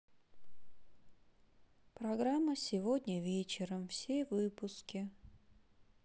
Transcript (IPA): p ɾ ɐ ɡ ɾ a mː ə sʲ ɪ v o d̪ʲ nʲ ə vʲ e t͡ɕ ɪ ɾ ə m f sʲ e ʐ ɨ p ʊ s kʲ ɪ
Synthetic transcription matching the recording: p ɾ ɐ ɡ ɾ a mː ə sʲ ɪ v o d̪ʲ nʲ ə vʲ e t͡ɕ ɪ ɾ ə m f sʲ e v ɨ p ʊ s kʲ ɪ